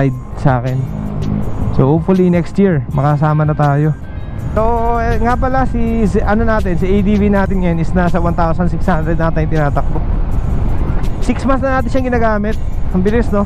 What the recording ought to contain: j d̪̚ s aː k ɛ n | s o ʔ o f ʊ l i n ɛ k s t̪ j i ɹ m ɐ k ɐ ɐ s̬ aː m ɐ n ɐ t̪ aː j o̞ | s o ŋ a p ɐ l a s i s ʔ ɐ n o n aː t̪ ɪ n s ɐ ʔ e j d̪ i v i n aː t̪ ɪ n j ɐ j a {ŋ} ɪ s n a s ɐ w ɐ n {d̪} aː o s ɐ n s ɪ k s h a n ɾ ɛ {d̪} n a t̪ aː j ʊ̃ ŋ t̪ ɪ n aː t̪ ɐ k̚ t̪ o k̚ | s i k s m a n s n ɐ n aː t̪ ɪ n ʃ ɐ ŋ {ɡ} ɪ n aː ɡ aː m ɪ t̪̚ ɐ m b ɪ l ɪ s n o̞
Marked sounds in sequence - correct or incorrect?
incorrect, incorrect, correct, correct

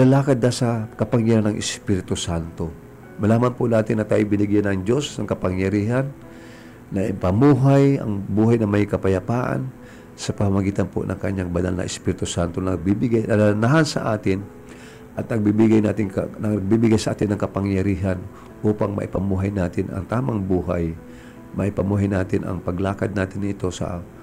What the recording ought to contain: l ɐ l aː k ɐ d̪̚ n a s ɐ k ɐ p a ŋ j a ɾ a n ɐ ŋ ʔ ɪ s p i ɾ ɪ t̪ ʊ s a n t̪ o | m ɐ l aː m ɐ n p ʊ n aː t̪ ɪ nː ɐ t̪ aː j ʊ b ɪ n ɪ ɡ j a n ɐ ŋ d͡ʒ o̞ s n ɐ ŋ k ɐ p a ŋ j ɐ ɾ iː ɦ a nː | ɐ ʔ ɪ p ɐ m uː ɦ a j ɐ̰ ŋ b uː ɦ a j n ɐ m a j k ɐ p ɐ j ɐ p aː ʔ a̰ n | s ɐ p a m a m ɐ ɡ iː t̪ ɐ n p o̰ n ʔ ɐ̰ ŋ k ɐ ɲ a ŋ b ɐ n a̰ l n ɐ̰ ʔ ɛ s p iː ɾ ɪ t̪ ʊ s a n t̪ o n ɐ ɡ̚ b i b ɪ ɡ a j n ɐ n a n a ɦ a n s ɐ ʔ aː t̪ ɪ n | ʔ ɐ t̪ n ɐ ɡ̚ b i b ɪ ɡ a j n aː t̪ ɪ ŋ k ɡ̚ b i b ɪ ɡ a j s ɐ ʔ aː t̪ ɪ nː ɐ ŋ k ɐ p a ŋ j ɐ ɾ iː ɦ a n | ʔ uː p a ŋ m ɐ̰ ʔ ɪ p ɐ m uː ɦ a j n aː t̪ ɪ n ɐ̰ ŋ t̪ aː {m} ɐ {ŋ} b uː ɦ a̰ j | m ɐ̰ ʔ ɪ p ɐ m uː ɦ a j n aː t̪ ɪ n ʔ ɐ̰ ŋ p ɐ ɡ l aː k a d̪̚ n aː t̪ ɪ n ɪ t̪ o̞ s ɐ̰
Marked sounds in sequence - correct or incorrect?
correct, correct

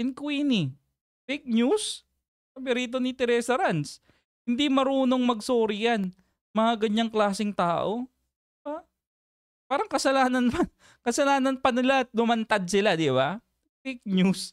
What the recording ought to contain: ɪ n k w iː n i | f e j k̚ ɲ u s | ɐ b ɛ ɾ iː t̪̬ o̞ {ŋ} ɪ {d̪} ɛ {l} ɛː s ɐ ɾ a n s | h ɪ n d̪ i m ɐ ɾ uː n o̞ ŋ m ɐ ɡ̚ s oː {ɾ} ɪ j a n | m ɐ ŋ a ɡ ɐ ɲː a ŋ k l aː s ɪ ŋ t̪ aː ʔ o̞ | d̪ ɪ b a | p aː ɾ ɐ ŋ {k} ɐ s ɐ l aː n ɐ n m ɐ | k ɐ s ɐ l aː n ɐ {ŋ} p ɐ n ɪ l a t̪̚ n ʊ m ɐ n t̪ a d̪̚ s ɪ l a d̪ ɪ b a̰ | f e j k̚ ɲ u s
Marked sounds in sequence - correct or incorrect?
incorrect, incorrect, incorrect, correct, correct, incorrect

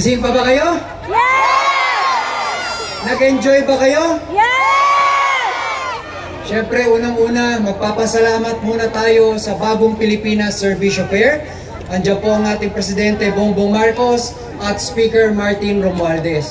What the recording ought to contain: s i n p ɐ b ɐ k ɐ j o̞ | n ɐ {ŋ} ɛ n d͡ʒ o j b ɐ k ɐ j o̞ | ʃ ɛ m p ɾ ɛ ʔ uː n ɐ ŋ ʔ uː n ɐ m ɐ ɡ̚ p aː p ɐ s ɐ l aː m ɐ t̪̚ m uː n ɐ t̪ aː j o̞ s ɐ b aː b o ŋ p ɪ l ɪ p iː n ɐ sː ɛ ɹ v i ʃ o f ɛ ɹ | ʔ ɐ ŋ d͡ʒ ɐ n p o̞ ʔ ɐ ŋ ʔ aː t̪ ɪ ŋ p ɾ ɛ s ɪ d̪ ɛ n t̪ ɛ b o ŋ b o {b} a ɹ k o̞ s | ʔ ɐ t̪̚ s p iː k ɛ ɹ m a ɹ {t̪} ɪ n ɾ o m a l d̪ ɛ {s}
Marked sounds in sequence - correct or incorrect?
incorrect, incorrect, correct, correct

